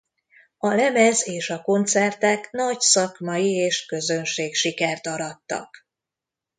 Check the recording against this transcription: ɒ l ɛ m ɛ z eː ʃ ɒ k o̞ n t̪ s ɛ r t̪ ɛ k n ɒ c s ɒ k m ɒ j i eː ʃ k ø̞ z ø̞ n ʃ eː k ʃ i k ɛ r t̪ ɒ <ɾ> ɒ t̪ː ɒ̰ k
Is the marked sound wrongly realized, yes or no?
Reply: no